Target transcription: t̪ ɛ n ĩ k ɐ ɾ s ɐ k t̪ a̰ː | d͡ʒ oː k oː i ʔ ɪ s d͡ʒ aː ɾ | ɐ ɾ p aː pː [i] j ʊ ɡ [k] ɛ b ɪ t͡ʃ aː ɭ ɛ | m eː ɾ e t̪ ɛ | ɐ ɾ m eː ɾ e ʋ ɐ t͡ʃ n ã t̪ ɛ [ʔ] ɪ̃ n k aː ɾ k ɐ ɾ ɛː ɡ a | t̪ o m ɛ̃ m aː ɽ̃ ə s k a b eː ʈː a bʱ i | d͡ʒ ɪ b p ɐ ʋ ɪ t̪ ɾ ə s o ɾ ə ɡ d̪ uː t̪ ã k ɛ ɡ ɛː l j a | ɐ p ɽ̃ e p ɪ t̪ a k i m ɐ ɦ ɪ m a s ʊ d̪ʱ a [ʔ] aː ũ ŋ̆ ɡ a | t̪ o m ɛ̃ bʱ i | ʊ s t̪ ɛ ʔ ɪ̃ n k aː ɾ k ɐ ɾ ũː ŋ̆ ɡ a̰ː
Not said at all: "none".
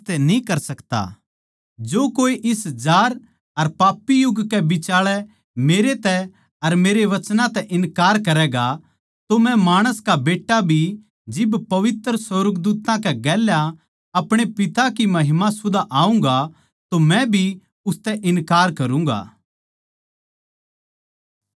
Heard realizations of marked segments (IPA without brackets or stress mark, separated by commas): i, k, ʔ, ʔ